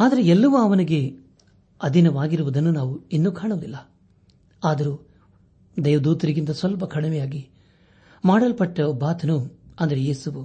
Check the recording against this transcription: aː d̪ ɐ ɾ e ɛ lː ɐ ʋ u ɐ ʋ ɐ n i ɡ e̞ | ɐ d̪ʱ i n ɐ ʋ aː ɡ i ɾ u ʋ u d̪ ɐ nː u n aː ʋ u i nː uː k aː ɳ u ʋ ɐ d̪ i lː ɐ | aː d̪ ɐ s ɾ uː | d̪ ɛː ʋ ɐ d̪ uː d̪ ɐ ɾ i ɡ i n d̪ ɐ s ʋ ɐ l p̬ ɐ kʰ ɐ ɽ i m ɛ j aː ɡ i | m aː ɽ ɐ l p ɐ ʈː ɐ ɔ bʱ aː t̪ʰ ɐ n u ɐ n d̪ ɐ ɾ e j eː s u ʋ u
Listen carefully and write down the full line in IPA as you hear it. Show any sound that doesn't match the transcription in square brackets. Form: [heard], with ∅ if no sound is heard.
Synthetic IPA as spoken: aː d̪ ɐ ɾ e ɛ lː ɐ ʋ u ɐ ʋ ɐ n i ɡ e̞ | ɐ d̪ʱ i n ɐ ʋ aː ɡ i ɾ u ʋ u d̪ ɐ nː u n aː ʋ u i nː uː k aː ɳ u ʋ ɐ d̪ i lː ɐ | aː d̪ ɐ [∅] ɾ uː | d̪ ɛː ʋ ɐ d̪ uː [t̪] ɐ ɾ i ɡ i n [t̪] ɐ s ʋ ɐ l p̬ ɐ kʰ ɐ ɽ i m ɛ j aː ɡ i | m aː ɽ ɐ l p ɐ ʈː ɐ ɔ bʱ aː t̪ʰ ɐ n u ɐ n d̪ ɐ ɾ e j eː s u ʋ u